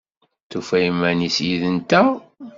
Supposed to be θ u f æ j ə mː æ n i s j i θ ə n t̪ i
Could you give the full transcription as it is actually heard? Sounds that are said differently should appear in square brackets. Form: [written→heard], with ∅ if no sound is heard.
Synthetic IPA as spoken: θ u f æ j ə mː æ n i s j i [θ→ð] ə n t̪ [i→æ]